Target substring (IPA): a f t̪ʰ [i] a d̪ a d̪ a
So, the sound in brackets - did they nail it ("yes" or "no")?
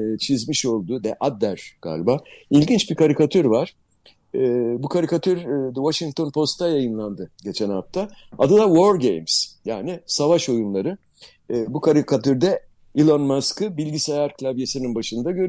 no